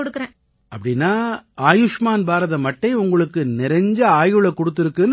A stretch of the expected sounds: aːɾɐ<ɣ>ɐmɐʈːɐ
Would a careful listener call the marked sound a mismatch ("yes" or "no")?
yes